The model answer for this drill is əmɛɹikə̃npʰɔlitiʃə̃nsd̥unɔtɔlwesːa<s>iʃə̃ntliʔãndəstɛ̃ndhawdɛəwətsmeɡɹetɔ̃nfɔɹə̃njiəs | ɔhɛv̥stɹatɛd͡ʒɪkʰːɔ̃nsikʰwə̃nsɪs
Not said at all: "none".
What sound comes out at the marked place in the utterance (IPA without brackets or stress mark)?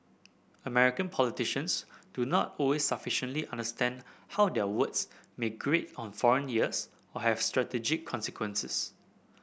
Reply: f